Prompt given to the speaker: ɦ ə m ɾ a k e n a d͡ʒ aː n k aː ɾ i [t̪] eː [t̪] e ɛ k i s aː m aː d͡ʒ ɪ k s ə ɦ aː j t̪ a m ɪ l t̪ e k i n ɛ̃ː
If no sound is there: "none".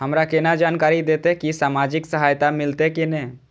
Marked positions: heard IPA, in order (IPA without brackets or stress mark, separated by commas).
d̪, t̪